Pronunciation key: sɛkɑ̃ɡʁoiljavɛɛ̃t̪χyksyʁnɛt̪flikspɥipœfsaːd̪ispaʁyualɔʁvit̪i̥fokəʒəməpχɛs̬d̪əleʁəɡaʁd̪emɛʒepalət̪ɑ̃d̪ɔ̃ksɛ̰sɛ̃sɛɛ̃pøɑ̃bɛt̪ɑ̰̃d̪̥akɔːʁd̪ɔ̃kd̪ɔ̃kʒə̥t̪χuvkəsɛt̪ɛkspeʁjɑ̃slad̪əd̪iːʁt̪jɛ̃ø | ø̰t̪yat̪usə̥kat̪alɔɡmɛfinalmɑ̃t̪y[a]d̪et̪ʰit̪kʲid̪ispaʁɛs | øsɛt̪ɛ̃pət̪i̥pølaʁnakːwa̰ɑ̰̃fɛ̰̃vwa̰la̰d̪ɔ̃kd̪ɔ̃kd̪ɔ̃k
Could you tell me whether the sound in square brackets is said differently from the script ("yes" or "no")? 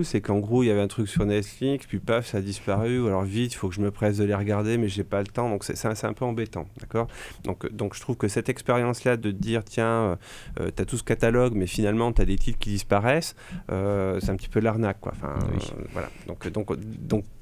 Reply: no